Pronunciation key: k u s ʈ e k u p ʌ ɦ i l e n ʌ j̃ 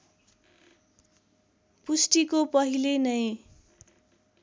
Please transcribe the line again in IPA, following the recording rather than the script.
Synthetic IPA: p u s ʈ i k o p ʌ ɦ i l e n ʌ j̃